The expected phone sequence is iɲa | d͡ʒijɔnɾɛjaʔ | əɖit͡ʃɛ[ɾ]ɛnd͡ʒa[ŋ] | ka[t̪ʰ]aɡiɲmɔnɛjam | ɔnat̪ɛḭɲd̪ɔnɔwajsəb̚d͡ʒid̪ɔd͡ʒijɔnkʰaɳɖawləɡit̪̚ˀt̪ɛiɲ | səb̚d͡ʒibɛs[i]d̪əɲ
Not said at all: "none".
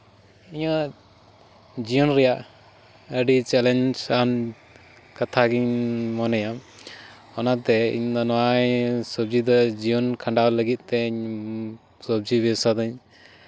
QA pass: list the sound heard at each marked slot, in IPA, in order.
l, n, t̪ʰ, a

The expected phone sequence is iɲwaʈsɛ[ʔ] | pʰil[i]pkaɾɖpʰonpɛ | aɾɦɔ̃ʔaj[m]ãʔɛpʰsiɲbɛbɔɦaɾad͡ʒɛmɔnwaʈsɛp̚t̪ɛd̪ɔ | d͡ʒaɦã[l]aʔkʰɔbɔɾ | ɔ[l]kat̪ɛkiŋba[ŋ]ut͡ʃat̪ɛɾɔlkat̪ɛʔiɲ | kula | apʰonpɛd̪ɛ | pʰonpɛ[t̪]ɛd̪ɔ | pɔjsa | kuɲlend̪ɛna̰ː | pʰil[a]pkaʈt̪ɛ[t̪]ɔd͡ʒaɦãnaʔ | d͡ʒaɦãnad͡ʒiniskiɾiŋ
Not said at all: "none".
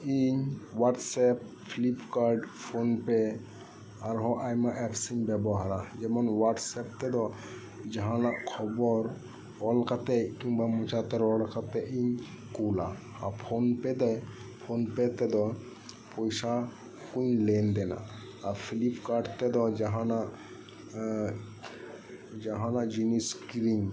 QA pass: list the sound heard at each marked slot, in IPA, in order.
p, i, m, l, l, m, t̪, i, d̪

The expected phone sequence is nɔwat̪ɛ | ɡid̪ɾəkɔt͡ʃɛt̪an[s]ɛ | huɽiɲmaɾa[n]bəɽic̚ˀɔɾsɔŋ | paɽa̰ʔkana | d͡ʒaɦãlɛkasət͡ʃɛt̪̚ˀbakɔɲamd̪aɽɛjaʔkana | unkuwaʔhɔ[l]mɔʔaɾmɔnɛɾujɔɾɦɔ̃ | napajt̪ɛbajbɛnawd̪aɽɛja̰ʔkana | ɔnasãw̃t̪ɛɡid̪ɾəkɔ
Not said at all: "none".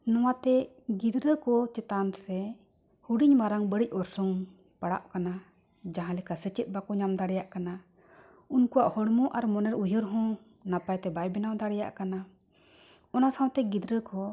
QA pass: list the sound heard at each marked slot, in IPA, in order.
s, ŋ, ɽ

